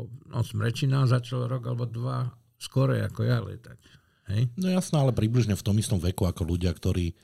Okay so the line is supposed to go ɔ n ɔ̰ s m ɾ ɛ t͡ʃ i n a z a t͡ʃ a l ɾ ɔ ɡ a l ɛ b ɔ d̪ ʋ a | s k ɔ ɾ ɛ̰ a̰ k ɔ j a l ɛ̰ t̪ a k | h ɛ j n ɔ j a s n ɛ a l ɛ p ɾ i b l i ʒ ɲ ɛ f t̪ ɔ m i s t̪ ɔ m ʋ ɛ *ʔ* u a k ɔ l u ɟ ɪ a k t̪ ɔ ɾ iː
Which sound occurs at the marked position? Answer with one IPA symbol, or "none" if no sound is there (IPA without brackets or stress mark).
k